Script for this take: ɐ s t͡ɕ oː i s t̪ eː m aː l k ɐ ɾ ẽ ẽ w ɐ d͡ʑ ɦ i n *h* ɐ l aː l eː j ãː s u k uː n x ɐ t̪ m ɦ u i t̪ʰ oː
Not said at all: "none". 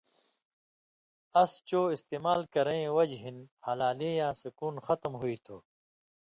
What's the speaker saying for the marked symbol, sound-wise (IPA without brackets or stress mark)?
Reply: h